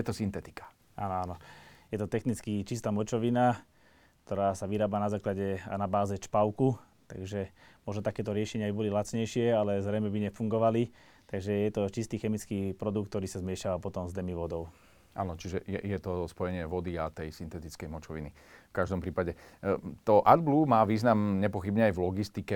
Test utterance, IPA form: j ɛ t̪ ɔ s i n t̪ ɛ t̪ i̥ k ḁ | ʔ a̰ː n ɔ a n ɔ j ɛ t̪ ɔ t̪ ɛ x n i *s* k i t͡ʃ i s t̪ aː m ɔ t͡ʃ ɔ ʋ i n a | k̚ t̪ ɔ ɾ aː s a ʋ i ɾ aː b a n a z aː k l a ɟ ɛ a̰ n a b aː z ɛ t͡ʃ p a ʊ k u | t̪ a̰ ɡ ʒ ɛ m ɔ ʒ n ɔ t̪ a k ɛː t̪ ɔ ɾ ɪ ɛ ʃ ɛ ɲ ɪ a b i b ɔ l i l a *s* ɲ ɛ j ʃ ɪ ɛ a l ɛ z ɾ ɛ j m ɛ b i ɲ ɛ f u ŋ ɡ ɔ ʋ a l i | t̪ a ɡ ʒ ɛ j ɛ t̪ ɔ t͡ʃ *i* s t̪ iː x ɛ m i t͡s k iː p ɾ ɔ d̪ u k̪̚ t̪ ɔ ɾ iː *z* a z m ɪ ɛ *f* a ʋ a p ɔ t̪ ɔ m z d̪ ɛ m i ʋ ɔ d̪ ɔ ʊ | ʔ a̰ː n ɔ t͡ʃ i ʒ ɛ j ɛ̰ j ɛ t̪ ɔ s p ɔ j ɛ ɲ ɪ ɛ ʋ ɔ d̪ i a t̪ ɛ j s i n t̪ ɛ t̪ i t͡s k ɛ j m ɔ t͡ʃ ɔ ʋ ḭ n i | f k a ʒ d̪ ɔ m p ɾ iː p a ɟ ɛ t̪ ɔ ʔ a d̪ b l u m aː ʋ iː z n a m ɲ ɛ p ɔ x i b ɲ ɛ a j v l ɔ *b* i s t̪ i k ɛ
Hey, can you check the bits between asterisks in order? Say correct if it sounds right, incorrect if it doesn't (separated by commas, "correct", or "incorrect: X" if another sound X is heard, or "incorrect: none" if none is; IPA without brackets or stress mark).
incorrect: t͡s, incorrect: t͡s, correct, incorrect: s, incorrect: ʃ, incorrect: ɡ